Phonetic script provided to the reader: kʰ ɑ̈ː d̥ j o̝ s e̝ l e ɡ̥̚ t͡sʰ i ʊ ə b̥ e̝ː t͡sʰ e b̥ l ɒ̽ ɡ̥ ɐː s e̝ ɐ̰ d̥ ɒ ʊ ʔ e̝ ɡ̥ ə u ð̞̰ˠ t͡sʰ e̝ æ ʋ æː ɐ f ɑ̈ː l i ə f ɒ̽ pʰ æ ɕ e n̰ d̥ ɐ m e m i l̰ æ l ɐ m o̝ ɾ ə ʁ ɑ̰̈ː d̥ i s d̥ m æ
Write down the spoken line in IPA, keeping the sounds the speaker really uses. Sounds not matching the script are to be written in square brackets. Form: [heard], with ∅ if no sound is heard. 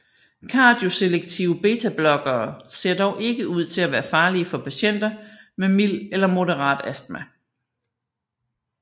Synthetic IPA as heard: kʰ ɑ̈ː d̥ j o̝ s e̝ l e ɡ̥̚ t͡sʰ i ʊ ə b̥ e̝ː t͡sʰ [æ] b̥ l ɒ̽ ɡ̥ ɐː s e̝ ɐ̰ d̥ ɒ ʊ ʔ e̝ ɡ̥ ə u ð̞̰ˠ t͡sʰ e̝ æ ʋ æː ɐ f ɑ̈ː l i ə f ɒ̽ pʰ æ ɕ e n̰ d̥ ɐ m e m i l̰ [e] l ɐ m o̝ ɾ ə ʁ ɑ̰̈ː d̥ [æ] s d̥ m æ

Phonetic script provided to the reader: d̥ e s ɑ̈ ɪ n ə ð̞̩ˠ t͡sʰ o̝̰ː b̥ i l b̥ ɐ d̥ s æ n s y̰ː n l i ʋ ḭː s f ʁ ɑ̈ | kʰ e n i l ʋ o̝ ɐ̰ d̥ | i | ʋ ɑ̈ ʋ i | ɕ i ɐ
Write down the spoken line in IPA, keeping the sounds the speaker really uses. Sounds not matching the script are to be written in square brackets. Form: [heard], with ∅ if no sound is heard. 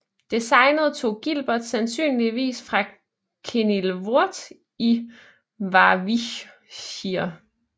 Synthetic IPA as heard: d̥ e s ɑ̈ ɪ n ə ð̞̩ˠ t͡sʰ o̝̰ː [ɡ̥] i l b̥ ɐ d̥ s æ n s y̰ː n l i ʋ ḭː s f ʁ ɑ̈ | kʰ e n i l ʋ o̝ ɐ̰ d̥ | i | ʋ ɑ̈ ʋ i | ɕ i ɐ

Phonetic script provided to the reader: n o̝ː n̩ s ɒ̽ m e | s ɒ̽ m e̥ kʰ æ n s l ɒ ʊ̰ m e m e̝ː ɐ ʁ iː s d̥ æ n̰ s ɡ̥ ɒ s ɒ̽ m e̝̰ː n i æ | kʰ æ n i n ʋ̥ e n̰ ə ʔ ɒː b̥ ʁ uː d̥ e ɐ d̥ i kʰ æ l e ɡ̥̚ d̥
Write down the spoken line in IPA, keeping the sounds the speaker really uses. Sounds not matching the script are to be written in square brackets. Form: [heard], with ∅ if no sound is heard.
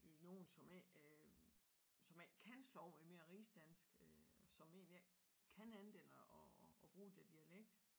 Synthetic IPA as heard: n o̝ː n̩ s ɒ̽ m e | s ɒ̽ m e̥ kʰ æ n s l ɒ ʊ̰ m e m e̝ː ɐ ʁ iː s d̥ æ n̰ s ɡ̥ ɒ s ɒ̽ m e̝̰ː n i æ | kʰ æ n [æ] n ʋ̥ e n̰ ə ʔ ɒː b̥ ʁ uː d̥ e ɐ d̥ i [∅] æ l e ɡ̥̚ d̥

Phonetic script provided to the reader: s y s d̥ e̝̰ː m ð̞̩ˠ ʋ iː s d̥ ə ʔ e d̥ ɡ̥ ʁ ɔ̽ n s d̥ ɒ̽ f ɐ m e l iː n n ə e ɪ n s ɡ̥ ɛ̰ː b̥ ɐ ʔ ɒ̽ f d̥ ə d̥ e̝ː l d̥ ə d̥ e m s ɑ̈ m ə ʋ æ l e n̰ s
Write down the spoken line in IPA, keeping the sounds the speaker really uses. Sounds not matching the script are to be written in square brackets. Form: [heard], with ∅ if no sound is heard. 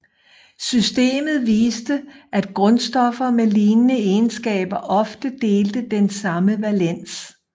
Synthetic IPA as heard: s y s d̥ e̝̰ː m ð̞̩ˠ ʋ iː s d̥ ə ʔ [æ] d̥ ɡ̥ ʁ ɔ̽ n s d̥ ɒ̽ f ɐ m e l iː n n ə e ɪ n s ɡ̥ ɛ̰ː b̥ ɐ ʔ ɒ̽ f d̥ ə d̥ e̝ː l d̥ ə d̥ e [n] s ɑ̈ m ə ʋ æ l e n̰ s

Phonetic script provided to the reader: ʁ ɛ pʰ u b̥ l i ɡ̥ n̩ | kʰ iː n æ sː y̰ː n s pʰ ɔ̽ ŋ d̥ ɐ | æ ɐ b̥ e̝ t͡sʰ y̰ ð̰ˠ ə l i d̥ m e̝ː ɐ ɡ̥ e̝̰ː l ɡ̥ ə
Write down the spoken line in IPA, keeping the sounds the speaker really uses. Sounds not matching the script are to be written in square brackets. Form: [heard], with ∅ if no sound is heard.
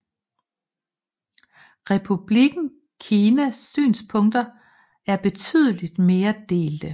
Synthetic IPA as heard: ʁ ɛ pʰ u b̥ l i ɡ̥ n̩ | kʰ iː n æ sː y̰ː n s pʰ ɔ̽ ŋ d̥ ɐ | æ ɐ b̥ e̝ t͡sʰ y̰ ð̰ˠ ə l i d̥ m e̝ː ɐ [d̥] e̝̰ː l [d̥] ə

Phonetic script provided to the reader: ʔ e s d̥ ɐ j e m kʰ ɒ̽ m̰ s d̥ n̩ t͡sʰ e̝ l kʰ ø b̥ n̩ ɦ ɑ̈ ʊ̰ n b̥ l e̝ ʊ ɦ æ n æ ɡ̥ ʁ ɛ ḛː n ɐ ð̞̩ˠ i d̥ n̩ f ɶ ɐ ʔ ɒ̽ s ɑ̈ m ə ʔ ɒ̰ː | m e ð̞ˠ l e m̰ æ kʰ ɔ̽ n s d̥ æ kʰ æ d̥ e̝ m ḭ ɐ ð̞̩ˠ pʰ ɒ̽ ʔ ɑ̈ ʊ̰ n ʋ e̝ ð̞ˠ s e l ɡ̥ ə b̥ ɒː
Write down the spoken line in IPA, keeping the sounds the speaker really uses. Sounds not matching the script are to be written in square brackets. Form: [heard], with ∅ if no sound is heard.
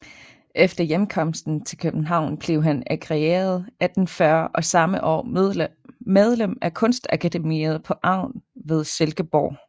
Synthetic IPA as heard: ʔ e [f] d̥ ɐ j e m kʰ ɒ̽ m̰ s d̥ n̩ t͡sʰ e̝ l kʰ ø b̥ n̩ ɦ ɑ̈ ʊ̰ n b̥ l e̝ ʊ ɦ æ n æ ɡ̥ ʁ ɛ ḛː [∅] ɐ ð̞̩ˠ [æ] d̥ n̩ f ɶ ɐ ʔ ɒ̽ s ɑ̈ m ə ʔ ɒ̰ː | m e ð̞ˠ l e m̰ æ kʰ ɔ̽ n s d̥ æ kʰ æ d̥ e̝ m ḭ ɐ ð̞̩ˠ pʰ ɒ̽ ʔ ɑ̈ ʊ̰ n ʋ e̝ ð̞ˠ s e l ɡ̥ ə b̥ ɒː

